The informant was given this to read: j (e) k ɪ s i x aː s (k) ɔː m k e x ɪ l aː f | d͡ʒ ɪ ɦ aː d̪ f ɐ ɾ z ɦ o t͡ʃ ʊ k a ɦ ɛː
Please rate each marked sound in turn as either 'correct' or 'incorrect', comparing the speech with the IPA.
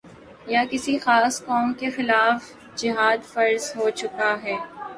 incorrect, correct

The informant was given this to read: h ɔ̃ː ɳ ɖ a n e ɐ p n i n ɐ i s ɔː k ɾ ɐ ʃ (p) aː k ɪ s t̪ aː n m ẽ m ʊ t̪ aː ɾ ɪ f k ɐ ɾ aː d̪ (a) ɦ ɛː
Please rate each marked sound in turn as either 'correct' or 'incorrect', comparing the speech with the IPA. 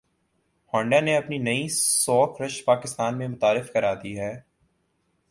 correct, incorrect

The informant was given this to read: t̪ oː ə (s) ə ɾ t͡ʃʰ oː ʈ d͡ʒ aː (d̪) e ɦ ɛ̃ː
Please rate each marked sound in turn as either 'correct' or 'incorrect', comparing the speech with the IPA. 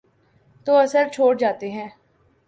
correct, incorrect

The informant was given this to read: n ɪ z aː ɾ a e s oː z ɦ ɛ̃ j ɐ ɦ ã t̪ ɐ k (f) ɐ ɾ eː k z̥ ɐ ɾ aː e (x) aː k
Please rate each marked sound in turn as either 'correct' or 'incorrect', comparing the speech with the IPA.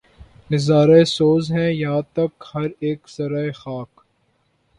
incorrect, correct

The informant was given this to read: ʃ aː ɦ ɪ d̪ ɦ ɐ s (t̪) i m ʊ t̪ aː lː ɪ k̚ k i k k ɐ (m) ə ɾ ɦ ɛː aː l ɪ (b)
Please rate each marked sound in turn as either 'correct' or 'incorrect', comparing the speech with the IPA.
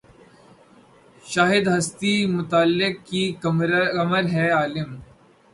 correct, correct, incorrect

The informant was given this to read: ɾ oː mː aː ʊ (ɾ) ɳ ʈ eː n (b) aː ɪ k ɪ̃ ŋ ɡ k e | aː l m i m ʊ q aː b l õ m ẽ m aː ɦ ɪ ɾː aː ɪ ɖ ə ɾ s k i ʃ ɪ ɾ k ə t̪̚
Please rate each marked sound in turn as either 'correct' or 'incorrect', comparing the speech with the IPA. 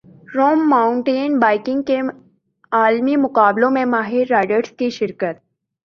incorrect, correct

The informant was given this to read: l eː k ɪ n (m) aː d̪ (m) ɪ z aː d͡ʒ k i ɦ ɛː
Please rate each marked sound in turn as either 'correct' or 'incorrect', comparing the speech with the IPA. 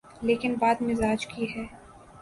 incorrect, correct

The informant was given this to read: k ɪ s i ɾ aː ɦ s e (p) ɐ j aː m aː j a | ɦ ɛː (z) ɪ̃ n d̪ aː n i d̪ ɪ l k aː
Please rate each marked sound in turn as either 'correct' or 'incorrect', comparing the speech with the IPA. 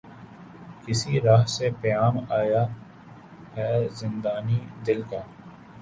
correct, correct

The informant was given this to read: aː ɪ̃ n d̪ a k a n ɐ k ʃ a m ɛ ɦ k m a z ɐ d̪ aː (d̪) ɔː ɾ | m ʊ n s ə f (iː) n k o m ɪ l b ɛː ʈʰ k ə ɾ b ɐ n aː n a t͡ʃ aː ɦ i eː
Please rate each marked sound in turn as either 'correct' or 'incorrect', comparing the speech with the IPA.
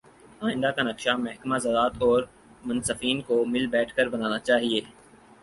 incorrect, correct

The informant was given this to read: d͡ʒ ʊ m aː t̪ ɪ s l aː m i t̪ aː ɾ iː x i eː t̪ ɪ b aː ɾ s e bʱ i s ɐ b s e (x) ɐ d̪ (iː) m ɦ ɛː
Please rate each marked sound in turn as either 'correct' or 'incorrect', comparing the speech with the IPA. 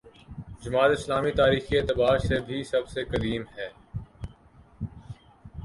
incorrect, correct

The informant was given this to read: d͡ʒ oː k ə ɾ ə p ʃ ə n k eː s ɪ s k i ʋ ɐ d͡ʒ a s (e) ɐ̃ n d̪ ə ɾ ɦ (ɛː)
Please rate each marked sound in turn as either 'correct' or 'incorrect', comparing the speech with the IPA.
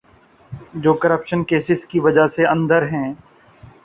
correct, incorrect

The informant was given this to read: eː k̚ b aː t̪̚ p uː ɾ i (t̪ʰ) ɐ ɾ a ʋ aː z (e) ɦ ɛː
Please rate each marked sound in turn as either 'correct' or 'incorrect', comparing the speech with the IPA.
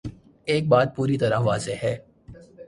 incorrect, correct

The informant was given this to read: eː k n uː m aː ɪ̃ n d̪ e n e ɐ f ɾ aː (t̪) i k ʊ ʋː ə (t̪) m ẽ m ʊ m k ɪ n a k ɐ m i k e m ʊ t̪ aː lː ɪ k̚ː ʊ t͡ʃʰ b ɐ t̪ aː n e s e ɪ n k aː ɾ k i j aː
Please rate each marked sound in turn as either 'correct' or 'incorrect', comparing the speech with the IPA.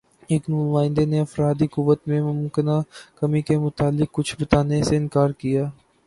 incorrect, correct

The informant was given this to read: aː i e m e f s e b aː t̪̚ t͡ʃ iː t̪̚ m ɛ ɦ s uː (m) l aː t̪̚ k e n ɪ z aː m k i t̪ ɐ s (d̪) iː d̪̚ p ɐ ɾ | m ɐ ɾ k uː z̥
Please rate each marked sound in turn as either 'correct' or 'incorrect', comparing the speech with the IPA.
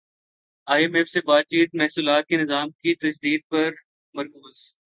incorrect, correct

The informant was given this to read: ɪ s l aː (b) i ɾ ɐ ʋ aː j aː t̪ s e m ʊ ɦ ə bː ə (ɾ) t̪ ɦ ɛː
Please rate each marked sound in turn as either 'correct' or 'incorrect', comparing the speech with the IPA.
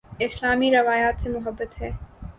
incorrect, incorrect

